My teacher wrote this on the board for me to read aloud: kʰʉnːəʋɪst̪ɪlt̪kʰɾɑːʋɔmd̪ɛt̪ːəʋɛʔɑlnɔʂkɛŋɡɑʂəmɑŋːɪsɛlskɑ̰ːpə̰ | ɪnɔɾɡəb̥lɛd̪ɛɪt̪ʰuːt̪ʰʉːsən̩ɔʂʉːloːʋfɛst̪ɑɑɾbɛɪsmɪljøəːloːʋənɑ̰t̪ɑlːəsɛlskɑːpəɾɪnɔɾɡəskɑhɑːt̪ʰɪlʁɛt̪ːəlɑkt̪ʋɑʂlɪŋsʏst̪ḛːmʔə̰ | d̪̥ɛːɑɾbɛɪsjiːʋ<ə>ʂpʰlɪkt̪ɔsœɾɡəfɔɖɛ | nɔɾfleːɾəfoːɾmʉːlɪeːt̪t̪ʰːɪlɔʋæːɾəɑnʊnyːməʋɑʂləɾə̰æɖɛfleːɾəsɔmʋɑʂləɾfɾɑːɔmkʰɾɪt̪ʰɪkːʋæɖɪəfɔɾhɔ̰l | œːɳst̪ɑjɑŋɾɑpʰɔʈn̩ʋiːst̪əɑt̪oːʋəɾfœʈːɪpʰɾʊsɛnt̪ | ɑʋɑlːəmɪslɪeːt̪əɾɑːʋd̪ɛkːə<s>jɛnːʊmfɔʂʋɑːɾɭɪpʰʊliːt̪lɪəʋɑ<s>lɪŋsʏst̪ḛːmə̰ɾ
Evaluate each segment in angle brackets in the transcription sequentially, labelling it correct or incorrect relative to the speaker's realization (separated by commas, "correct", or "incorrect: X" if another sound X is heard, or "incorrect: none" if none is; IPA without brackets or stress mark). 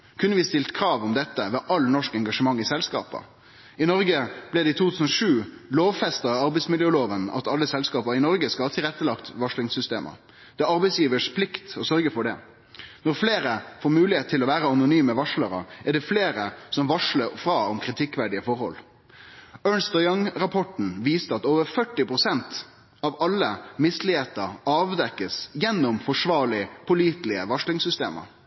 correct, correct, incorrect: ʂ